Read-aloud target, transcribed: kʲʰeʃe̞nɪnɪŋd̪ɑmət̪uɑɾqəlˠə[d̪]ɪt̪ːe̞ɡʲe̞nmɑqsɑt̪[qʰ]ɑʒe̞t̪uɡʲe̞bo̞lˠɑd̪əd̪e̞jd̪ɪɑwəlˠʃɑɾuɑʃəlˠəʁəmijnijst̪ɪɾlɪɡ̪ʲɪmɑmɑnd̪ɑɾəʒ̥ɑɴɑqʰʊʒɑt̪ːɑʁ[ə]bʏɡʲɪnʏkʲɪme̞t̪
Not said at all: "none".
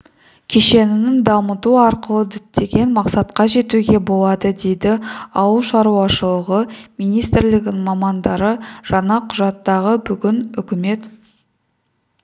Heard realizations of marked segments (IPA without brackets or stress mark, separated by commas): d̪, q, ə